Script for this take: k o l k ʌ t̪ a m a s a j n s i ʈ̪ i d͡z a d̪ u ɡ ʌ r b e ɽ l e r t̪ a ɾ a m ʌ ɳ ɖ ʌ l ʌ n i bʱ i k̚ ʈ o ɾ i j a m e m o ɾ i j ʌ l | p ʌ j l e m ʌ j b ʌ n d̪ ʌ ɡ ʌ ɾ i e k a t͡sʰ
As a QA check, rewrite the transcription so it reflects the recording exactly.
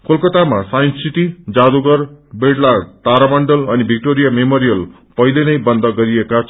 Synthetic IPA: k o l k ʌ t̪ a m a s a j n s i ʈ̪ i d͡z a d̪ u ɡ ʌ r b e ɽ l a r t̪ a ɾ a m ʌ ɳ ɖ ʌ l ʌ n i bʱ i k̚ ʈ o ɾ i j a m e m o ɾ i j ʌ l | p ʌ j l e n ʌ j b ʌ n d̪ ʌ ɡ ʌ ɾ i e k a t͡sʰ